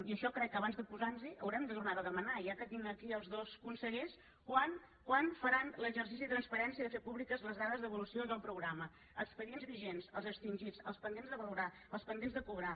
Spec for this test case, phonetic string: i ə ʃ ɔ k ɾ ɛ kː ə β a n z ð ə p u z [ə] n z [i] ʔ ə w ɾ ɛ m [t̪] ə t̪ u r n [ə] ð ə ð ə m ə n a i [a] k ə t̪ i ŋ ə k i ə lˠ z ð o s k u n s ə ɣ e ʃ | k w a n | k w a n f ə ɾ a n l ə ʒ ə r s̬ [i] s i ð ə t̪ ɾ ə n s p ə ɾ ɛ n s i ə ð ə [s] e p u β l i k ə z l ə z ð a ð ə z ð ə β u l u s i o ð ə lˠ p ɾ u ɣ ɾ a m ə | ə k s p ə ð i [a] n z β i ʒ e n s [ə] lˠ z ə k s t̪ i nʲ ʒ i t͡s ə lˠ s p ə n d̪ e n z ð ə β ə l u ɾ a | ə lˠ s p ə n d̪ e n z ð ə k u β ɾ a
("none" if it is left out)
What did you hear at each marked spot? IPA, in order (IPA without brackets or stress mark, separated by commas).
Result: a, i, d̪, a, a, i, f, e, ə